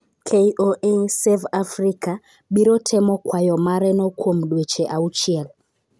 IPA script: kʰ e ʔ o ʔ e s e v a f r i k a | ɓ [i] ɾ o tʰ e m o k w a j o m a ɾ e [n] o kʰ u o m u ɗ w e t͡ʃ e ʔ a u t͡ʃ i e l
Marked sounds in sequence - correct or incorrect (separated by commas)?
correct, correct